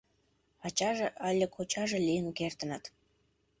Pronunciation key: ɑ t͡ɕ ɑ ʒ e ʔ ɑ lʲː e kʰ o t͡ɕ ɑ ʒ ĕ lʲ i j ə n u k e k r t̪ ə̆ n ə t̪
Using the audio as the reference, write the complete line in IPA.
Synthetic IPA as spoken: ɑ t͡ɕ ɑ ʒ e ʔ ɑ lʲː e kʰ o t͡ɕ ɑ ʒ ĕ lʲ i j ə n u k e r t̪ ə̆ n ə t̪